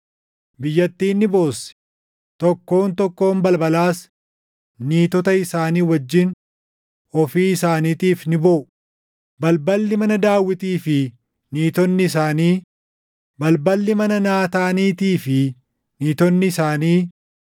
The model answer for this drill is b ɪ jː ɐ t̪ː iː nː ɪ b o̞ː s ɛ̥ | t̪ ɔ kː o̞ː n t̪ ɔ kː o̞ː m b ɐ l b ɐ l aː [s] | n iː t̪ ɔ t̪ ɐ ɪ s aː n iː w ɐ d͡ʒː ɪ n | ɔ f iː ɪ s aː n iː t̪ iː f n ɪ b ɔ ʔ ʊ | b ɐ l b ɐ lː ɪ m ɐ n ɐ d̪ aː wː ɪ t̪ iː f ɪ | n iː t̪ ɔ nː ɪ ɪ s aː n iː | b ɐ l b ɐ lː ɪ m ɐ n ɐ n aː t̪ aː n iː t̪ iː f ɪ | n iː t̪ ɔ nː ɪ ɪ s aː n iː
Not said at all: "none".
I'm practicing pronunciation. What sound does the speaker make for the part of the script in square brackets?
s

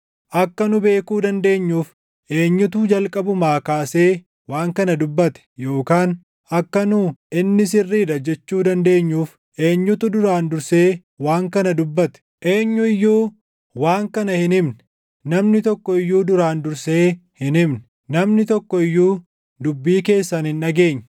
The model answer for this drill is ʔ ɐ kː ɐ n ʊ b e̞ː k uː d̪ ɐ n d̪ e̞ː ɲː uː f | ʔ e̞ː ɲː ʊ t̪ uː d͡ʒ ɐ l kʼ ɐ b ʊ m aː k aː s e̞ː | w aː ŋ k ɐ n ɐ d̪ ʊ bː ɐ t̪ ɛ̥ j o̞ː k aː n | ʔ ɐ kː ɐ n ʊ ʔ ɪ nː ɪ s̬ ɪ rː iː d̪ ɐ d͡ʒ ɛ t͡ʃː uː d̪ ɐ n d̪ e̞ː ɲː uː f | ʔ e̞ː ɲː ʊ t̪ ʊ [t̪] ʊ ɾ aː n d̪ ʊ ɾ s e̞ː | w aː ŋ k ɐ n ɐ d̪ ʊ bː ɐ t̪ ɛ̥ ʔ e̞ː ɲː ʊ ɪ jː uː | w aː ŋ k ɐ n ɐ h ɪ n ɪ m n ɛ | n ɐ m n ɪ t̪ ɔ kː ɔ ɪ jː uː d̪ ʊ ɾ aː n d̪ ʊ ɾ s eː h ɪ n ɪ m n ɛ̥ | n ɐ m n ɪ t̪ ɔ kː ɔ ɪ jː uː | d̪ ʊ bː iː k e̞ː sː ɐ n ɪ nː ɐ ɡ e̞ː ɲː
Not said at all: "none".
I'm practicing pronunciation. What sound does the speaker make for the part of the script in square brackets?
d̪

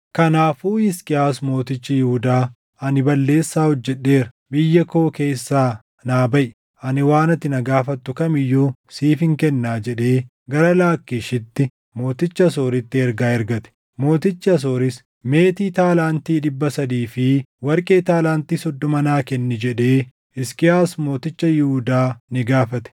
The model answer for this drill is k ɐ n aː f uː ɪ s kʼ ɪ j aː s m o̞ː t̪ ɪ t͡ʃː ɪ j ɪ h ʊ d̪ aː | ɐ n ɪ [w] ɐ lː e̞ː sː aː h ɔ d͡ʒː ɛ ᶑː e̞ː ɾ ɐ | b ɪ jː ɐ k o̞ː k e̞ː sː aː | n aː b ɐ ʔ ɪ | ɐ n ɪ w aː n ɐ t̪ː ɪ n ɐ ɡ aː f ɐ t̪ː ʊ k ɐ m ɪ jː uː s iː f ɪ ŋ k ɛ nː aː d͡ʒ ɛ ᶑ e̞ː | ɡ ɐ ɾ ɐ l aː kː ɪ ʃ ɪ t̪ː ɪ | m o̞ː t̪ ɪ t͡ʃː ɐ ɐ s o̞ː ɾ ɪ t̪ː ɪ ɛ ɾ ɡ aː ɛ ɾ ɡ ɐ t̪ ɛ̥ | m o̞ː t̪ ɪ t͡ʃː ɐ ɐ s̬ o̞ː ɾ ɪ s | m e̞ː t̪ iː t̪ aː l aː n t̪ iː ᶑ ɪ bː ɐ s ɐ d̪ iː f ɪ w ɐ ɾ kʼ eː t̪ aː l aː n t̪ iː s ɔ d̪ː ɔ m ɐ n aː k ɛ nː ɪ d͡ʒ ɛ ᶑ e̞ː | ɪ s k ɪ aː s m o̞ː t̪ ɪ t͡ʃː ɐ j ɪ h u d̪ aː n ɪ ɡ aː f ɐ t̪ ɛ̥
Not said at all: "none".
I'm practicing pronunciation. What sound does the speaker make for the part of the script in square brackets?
b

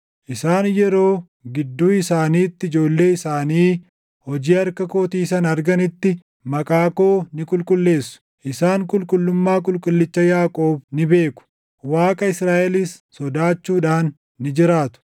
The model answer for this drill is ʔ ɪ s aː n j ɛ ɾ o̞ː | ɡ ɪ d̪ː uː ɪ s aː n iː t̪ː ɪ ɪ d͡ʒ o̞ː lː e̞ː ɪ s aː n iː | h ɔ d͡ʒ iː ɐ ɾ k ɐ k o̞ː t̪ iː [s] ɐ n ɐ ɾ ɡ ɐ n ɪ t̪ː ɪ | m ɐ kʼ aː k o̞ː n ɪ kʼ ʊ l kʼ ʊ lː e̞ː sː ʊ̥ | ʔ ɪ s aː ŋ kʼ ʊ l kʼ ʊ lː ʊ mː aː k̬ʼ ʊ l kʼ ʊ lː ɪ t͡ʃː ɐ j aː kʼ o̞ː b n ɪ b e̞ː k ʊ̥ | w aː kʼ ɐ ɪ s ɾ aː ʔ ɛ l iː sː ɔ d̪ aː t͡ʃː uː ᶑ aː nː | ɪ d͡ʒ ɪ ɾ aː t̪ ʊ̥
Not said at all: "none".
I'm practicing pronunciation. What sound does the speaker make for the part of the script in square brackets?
s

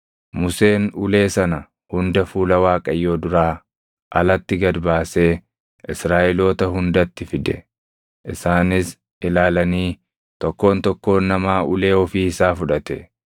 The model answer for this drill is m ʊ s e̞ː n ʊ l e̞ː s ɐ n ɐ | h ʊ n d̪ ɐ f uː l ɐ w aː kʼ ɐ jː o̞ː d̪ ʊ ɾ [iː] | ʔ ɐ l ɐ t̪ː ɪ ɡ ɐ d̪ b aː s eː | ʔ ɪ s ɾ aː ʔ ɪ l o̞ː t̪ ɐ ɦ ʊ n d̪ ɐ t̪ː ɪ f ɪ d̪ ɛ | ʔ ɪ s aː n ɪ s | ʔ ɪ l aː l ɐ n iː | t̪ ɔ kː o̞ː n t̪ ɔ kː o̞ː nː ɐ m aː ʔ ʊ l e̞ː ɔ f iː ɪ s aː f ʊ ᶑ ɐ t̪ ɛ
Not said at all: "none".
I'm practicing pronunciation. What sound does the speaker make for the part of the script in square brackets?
aː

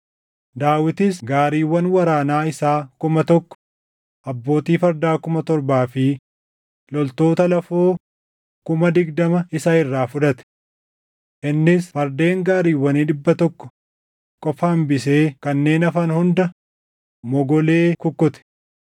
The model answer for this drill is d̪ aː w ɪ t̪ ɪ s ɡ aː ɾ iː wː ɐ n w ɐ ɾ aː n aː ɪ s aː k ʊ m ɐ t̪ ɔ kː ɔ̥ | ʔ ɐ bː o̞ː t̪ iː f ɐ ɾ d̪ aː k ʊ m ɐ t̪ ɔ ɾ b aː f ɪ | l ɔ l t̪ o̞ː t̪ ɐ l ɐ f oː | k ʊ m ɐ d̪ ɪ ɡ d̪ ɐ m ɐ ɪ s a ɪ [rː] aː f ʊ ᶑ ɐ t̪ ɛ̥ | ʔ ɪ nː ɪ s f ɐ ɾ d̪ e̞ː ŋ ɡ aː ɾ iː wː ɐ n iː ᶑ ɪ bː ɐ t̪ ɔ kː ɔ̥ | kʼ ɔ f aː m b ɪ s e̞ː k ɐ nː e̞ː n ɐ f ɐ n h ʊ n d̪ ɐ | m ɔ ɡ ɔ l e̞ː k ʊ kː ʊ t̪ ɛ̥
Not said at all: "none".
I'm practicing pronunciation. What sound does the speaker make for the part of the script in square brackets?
rː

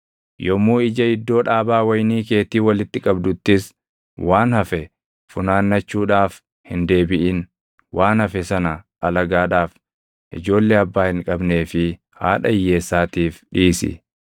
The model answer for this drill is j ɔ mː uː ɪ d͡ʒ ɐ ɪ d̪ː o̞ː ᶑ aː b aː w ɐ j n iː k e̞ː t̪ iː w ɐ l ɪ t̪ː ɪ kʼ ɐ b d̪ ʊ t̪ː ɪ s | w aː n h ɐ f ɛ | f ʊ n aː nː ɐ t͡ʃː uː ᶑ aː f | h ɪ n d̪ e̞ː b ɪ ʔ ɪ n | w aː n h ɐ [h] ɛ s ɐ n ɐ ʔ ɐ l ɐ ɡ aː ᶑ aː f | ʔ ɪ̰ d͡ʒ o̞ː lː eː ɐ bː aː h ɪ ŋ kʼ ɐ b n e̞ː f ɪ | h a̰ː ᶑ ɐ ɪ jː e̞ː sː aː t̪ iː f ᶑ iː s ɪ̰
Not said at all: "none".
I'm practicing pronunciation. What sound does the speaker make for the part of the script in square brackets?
f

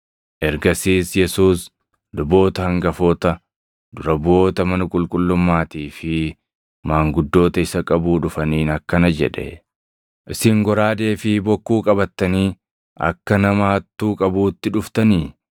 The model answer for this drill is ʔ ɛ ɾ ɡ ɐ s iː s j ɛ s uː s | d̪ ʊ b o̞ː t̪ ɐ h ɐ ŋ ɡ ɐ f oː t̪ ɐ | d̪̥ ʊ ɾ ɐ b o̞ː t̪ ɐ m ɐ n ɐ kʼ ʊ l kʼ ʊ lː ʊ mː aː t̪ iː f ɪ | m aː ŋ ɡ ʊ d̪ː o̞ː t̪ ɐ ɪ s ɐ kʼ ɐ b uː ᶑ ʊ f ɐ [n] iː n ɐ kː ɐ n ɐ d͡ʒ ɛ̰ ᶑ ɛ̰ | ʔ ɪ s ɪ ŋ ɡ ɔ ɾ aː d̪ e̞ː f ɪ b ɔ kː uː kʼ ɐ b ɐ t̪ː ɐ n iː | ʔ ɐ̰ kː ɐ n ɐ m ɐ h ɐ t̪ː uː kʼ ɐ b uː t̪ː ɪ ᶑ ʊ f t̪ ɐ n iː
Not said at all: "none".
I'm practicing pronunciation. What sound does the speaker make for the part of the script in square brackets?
n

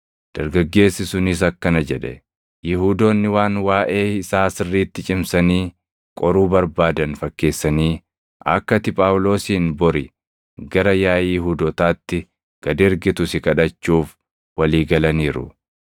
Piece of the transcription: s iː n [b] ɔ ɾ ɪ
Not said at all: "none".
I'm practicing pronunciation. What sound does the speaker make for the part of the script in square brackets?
b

